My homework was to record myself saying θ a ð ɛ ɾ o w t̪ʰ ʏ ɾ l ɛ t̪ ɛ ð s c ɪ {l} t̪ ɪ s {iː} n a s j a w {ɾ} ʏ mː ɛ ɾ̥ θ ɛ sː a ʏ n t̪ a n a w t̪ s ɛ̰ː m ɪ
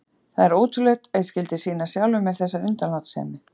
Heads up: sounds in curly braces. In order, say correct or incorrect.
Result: correct, correct, incorrect

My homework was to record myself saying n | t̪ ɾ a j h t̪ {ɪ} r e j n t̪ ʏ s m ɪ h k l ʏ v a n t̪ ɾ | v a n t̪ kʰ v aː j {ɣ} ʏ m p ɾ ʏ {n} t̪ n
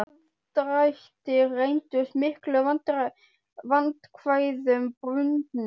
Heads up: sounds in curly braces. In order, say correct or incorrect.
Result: correct, incorrect, correct

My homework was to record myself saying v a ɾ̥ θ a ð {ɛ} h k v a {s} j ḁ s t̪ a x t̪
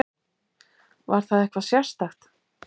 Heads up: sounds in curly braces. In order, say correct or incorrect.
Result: correct, correct

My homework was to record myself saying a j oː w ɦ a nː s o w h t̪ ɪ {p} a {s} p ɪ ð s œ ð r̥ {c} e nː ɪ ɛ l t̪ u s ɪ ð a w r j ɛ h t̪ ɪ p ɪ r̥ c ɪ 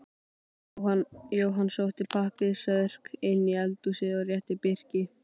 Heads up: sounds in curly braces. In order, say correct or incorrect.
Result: incorrect, incorrect, incorrect

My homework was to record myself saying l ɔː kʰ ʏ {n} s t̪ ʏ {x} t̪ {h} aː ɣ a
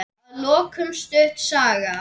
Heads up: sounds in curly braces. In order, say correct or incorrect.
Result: incorrect, incorrect, incorrect

